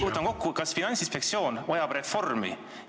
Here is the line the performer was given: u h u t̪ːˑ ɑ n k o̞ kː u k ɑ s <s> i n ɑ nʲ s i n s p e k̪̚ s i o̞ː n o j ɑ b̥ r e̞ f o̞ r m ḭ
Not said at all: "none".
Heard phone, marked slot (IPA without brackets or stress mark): f